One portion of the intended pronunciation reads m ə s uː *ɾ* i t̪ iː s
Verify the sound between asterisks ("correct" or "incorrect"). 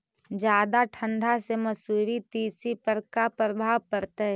correct